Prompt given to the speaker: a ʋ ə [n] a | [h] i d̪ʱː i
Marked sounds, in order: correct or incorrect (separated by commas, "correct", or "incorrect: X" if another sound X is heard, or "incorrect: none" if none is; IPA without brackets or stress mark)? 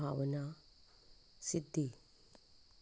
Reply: correct, incorrect: s